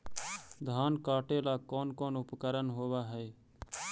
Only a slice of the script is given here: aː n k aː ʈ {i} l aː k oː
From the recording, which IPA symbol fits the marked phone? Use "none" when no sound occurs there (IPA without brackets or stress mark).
e